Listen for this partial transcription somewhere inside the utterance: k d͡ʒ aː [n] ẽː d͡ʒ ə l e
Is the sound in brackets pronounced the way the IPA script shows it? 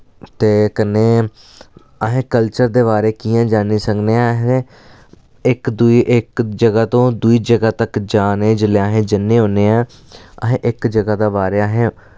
yes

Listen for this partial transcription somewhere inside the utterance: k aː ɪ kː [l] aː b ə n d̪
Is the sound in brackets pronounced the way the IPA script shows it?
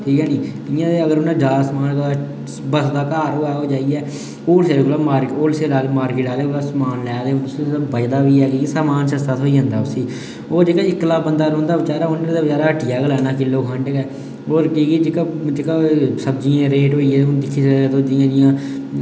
yes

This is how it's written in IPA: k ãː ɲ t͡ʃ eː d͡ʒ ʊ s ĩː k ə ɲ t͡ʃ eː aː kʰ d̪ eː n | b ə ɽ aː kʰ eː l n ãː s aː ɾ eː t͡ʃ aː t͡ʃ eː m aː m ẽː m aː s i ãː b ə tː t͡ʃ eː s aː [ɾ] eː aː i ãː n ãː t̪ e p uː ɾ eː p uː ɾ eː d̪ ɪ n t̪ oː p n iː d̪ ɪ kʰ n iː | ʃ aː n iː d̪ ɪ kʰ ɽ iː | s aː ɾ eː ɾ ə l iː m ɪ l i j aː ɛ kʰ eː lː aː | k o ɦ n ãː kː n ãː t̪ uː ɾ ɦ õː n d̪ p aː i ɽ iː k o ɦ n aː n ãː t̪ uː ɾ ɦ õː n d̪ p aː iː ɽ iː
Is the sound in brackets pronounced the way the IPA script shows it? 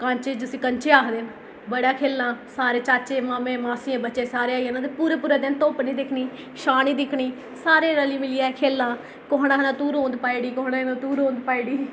yes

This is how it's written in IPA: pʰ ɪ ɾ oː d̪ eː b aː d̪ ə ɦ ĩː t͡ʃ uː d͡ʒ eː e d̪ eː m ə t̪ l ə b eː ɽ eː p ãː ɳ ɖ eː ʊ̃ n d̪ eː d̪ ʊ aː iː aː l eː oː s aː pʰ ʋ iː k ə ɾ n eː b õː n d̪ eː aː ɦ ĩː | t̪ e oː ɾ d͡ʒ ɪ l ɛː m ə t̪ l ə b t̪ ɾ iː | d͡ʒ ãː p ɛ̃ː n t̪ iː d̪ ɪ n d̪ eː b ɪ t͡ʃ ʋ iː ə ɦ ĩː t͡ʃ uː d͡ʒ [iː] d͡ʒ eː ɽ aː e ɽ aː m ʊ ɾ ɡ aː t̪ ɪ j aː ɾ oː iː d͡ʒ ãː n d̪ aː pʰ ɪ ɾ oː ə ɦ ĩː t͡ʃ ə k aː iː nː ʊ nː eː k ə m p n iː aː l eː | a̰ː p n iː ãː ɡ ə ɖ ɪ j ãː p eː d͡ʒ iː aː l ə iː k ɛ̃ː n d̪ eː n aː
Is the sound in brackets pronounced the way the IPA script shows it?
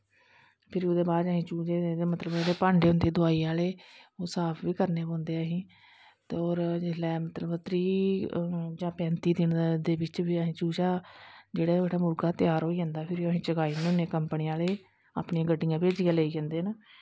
no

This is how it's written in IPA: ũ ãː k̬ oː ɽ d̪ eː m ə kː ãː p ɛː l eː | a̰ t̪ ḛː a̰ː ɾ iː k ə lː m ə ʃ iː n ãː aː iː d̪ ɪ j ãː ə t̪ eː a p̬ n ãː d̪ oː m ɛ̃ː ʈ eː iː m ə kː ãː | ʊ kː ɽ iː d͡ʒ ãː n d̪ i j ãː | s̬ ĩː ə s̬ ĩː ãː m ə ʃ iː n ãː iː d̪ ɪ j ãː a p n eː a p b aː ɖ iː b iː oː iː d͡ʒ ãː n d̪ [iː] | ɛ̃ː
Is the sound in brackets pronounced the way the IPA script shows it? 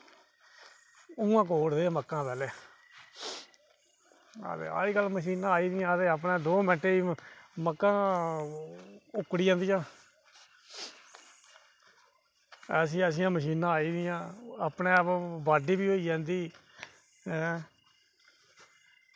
yes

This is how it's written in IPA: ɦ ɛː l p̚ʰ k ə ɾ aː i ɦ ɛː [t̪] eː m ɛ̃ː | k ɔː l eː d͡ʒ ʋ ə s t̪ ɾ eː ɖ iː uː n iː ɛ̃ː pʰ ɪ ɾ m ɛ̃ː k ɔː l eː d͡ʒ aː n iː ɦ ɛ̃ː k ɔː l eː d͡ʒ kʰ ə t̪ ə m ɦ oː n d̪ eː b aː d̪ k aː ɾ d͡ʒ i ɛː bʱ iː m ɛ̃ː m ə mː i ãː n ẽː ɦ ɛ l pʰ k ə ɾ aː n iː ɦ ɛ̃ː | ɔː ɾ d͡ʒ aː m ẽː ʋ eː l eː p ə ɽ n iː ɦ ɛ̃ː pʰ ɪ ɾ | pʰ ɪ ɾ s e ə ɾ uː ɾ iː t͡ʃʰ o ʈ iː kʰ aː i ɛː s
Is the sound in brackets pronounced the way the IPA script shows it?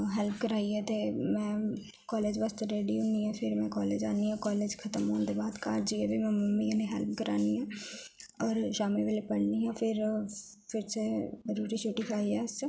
yes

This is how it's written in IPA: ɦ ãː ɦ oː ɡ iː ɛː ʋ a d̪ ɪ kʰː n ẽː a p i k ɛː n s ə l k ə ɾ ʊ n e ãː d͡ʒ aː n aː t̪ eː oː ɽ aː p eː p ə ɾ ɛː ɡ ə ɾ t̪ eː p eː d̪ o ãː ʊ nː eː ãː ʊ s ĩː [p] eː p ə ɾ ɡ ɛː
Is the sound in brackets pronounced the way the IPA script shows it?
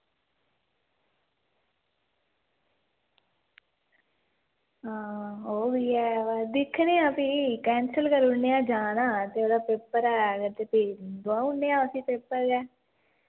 yes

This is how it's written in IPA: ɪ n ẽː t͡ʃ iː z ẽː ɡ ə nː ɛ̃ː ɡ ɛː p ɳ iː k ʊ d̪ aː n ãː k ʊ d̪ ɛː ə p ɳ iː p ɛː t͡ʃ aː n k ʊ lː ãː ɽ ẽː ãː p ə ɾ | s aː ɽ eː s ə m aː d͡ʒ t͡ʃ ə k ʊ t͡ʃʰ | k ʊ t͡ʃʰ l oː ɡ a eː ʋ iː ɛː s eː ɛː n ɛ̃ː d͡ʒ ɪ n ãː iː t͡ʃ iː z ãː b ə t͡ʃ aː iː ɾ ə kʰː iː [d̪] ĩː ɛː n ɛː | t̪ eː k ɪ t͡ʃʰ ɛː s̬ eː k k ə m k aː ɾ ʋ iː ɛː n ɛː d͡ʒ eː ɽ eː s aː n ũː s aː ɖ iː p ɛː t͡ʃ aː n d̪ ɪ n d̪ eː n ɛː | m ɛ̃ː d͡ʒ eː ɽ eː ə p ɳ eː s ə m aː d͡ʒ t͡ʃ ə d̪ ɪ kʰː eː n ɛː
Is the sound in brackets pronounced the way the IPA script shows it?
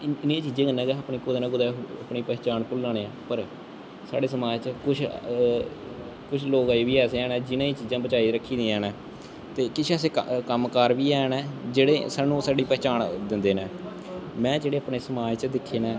yes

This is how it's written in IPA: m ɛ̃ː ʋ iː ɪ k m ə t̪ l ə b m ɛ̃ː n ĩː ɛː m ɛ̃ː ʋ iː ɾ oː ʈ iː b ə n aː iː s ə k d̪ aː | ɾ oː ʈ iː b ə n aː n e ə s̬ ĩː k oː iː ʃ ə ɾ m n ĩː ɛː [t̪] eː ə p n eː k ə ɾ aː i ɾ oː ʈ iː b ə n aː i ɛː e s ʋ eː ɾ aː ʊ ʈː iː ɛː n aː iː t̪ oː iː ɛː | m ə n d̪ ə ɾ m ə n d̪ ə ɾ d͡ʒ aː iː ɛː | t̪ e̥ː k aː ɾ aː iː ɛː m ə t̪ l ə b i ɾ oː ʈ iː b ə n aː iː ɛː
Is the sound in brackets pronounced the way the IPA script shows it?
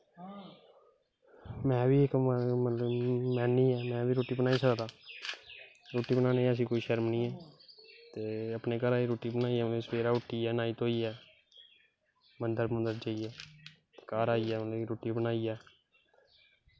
yes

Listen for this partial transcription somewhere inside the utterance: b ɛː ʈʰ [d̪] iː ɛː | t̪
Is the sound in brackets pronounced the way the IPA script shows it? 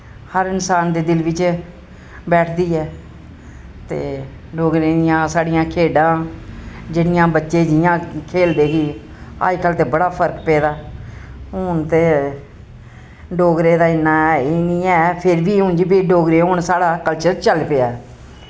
yes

